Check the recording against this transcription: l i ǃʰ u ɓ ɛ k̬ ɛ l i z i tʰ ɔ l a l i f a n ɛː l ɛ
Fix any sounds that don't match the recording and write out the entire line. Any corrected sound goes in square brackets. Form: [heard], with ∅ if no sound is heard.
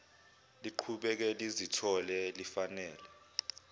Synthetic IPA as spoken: l i ǃʰ u ɓ ɛ k̬ ɛ l i z i tʰ ɔ l [ɛ] l i f a n ɛː l ɛ

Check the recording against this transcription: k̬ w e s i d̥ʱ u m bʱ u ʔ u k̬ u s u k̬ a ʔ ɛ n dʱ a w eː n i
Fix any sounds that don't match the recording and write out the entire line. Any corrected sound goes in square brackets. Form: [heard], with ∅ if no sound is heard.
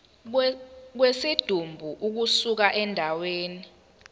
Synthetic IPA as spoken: k̬ w e s i d̥ʱ u m bʱ u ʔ u k̬ u s u k̬ a ʔ ɛ n dʱ a w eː n i

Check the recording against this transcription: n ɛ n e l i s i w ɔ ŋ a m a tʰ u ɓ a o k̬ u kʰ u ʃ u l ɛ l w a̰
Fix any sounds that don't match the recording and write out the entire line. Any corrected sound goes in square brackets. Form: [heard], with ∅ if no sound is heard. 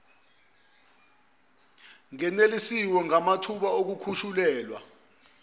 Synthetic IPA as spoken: [ŋ] ɛ n e l i s i w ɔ ŋ a m a tʰ u ɓ a o k̬ u kʰ u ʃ u l [ɛː] l w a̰

